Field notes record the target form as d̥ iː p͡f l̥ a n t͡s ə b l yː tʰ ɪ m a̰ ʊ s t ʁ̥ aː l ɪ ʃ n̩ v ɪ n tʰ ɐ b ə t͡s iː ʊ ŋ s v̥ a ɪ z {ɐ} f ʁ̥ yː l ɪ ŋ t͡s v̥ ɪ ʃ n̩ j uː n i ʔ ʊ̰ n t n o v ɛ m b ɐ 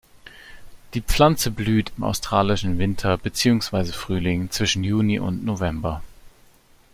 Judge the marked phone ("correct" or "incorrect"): incorrect